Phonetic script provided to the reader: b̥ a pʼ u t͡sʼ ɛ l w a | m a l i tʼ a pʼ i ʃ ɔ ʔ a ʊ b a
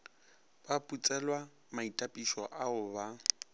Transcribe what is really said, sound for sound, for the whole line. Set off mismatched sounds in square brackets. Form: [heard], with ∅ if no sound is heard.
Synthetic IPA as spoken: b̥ a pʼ u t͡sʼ ɛ l w a | m a [∅] i tʼ a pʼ i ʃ ɔ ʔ a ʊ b a